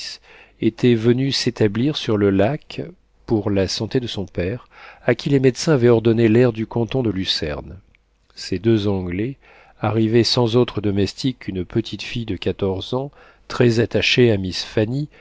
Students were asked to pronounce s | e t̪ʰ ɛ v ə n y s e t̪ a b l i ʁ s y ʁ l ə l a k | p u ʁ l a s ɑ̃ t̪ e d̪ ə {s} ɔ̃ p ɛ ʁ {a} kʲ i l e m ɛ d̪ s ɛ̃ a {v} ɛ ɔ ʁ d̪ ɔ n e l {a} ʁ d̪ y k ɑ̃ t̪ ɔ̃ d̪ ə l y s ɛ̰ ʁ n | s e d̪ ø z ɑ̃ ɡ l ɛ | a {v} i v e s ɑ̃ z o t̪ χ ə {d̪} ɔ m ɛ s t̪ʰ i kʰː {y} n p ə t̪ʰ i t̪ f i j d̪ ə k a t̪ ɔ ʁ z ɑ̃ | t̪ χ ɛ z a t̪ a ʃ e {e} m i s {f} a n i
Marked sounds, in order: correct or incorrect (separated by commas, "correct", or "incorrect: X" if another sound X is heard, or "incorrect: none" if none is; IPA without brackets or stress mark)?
correct, correct, correct, incorrect: ɛ, incorrect: ʁ, correct, correct, incorrect: a, correct